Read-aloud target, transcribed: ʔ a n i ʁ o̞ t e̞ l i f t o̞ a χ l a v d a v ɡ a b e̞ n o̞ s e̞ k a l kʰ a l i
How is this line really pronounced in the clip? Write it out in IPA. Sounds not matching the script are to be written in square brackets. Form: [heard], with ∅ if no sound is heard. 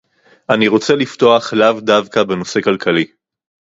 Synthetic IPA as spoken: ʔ a n i ʁ o̞ [t͡s] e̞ l i f t o̞ a χ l a v d a v [k] a b e̞ n o̞ s e̞ k a l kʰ a l i